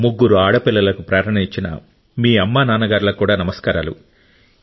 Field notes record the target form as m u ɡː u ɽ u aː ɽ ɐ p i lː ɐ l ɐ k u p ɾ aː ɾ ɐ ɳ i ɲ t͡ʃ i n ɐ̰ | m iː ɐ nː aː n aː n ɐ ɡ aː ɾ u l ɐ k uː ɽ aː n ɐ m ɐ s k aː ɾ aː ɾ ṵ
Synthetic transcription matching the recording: m u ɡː u ɾ u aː ɽ ɐ p i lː ɐ l ɐ k u p ɾ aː ɾ ɐ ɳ i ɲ t͡ʃ i n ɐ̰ | m iː ɐ mː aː n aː n ɐ ɡ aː ɾ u l ɐ k uː ɽ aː n ɐ m ɐ s k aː ɾ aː l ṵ